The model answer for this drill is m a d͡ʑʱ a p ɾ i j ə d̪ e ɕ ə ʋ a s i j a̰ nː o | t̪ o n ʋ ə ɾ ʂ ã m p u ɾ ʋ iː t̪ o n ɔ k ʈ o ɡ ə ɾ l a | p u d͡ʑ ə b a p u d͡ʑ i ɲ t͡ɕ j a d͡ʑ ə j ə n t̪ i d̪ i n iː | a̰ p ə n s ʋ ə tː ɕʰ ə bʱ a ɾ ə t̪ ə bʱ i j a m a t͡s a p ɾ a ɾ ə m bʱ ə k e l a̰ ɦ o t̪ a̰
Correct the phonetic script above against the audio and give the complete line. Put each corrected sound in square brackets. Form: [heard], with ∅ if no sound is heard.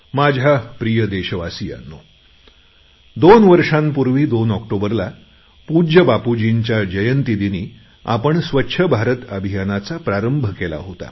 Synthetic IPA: m a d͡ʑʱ a p ɾ i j ə d̪ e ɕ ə ʋ a s i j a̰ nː o | [d̪] o n ʋ ə ɾ ʂ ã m p u ɾ ʋ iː [d̪] o n ɔ k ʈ o [b] ə ɾ l a | p u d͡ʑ ə b a p u d͡ʑ i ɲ t͡ɕ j a d͡ʑ ə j ə n t̪ i d̪ i n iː | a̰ p ə [ɳ] s ʋ ə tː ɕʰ ə bʱ a ɾ ə t̪ ə bʱ i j a [n] a t͡s a p ɾ a ɾ ə m bʱ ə k e l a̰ ɦ o t̪ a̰

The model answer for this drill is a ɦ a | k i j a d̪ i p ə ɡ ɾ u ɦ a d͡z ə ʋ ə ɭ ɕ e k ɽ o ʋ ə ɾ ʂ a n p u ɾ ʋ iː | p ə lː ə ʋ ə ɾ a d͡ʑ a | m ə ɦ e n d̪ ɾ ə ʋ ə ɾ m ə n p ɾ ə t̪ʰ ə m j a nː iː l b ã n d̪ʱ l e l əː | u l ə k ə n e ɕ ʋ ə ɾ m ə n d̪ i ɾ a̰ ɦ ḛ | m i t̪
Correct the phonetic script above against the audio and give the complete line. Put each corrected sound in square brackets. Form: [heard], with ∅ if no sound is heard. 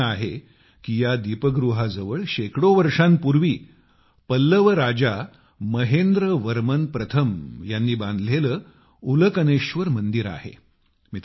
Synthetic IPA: a ɦ [e] | k i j a d̪ i p ə ɡ ɾ u ɦ a d͡z ə ʋ ə ɭ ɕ e k ɽ o ʋ ə ɾ ʂ a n p u ɾ ʋ iː | p ə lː ə ʋ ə ɾ a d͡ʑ a | m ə ɦ e n d̪ ɾ ə ʋ ə ɾ m ə n p ɾ ə t̪ʰ ə m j a nː iː [∅] b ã n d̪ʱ l e l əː | u l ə k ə n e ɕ ʋ ə ɾ m ə n d̪ i ɾ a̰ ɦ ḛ | m i t̪

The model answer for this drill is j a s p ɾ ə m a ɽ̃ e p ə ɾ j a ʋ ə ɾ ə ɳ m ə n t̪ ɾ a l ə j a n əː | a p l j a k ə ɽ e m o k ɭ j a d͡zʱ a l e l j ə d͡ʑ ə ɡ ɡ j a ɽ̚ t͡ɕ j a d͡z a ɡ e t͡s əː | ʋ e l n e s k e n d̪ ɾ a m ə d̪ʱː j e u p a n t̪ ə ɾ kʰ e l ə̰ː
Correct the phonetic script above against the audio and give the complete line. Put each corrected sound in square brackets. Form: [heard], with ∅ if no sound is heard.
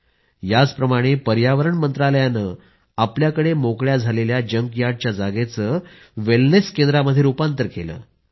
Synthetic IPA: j a [t͡s] p ɾ ə m a ɽ̃ e p ə ɾ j a ʋ ə ɾ ə ɳ m ə n t̪ ɾ a l ə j a n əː | a p l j a k ə ɽ e m o k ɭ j a d͡zʱ a l e l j [a] d͡ʑ ə [ŋ] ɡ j a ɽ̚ t͡ɕ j a d͡z a ɡ e t͡s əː | ʋ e l n e s k e n d̪ ɾ a m ə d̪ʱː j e u p a n t̪ ə ɾ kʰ e l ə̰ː

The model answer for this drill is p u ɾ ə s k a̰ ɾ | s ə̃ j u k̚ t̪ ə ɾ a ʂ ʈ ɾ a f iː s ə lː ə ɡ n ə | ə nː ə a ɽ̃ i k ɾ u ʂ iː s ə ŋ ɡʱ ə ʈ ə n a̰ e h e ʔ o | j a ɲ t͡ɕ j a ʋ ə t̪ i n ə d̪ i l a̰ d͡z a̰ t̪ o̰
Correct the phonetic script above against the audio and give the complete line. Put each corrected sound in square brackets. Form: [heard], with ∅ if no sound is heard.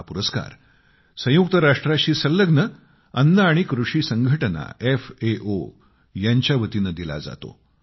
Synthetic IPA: p u ɾ ə s k a̰ ɾ | s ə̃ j u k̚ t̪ ə ɾ a ʂ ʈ ɾ a [ɕ] iː s ə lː ə ɡ n ə | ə nː ə a ɽ̃ i k ɾ u ʂ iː s ə ŋ ɡʱ ə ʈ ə n a̰ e [f] e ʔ o | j a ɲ t͡ɕ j a ʋ ə t̪ i n ə d̪ i l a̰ d͡z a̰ t̪ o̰

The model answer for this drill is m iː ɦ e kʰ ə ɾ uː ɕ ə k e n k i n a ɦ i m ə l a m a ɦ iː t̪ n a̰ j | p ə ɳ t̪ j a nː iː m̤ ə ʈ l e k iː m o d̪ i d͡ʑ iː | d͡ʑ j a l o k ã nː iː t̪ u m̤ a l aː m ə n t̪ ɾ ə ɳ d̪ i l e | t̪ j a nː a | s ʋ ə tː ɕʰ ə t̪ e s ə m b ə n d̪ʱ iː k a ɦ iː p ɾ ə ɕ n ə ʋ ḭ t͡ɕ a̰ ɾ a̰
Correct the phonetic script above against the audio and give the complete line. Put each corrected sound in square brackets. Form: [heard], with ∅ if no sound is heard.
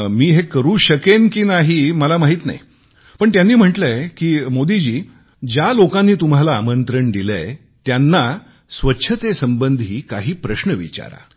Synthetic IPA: m iː ɦ e [k] ə ɾ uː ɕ ə k e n k i n a ɦ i m ə l a m a ɦ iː t̪ n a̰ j | p ə ɳ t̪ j a nː iː m̤ ə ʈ l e k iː m o d̪ i d͡ʑ iː | d͡ʑ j a l o k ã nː iː t̪ u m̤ a l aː m ə n t̪ ɾ ə ɳ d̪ i l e | t̪ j a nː a | s ʋ ə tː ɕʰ ə t̪ e s ə m b ə n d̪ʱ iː k a ɦ iː p ɾ ə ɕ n ə ʋ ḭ t͡ɕ a̰ ɾ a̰

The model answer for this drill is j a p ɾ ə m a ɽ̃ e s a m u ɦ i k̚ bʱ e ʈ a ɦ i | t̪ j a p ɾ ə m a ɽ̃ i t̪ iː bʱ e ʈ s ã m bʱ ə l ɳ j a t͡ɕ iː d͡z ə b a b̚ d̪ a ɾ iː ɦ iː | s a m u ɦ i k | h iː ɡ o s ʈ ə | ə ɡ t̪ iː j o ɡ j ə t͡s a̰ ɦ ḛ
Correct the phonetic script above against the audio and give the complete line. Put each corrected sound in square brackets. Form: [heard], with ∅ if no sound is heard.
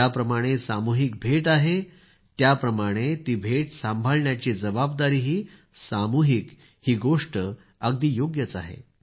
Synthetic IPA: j a p ɾ ə m a ɽ̃ e s a m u ɦ i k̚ bʱ e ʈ a ɦ [e] | t̪ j a p ɾ ə m a ɽ̃ [e] t̪ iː bʱ e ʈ s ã m bʱ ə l ɳ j a t͡ɕ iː d͡z ə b a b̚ d̪ a ɾ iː ɦ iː | s a m u ɦ i k | h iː ɡ o [ʂ] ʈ ə | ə ɡ [d̪] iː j o ɡ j ə t͡s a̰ ɦ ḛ

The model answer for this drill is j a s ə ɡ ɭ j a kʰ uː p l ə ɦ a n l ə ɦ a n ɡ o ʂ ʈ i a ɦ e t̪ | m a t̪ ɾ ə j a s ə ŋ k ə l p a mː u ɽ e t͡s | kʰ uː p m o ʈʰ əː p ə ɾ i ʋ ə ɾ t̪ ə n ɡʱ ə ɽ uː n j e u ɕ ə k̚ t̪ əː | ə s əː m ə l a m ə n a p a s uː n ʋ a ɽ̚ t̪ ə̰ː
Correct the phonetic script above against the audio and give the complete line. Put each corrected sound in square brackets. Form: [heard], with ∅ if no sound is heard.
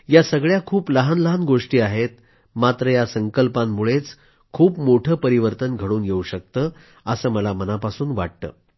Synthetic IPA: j a s ə ɡ ɭ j a kʰ uː p l ə ɦ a n l ə ɦ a n ɡ o ʂ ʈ [iː] a ɦ e t̪ | m a t̪ ɾ ə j a s ə ŋ k ə l p a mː u [ɭ] e t͡s | kʰ uː p m o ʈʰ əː p ə ɾ i ʋ ə ɾ t̪ ə n ɡʱ ə ɽ uː n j e u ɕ ə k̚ t̪ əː | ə s əː m ə l a m ə n a p a s uː n ʋ a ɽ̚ t̪ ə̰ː

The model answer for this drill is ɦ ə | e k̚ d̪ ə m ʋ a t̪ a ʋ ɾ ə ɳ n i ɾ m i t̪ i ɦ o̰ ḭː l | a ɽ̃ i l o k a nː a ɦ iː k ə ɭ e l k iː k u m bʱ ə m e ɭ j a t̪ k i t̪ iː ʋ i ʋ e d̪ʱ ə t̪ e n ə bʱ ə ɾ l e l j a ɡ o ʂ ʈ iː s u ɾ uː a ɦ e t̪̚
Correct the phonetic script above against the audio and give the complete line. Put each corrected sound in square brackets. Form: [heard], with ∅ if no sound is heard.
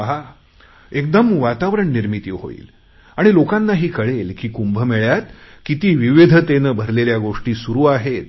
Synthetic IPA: ɦ [a] | e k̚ d̪ ə m ʋ a t̪ a ʋ ɾ ə ɳ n i ɾ m i t̪ i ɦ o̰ ḭː l | a ɽ̃ i l o k a nː a ɦ iː k ə ɭ e l k iː k u m bʱ ə m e ɭ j a t̪ k i t̪ iː ʋ i ʋ e d̪ʱ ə t̪ e n ə bʱ ə ɾ l e l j a ɡ o ʂ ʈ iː s u ɾ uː a ɦ e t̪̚

